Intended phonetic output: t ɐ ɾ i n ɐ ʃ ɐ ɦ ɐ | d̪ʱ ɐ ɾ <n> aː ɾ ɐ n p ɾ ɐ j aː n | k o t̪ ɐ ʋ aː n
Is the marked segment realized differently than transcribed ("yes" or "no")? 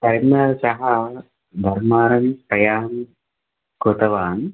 yes